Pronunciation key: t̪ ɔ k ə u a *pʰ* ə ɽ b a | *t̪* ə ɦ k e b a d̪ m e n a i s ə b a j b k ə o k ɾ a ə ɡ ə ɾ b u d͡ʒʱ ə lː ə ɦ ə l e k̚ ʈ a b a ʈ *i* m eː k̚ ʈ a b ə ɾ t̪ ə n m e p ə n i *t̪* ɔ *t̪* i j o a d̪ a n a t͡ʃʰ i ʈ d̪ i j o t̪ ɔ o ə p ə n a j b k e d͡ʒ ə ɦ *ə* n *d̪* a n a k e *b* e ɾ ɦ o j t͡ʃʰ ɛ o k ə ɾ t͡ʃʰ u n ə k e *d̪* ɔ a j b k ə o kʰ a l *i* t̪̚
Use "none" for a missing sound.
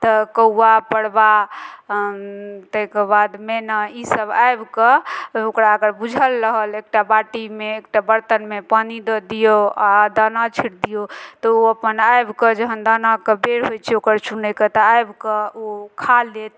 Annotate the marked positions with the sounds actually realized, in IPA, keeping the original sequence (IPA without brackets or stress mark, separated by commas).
p, t̪, i, d̪, d̪, ə, d̪, b, t̪, e